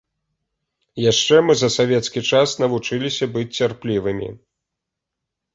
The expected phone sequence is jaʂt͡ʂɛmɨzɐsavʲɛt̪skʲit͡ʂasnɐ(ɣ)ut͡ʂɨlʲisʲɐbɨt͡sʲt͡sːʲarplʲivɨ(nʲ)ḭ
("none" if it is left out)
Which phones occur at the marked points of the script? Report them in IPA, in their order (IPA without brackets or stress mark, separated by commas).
v, mʲ